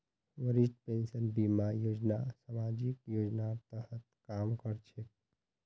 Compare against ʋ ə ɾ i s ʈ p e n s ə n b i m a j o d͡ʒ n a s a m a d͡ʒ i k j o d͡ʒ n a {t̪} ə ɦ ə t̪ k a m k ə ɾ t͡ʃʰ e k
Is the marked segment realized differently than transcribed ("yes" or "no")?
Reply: no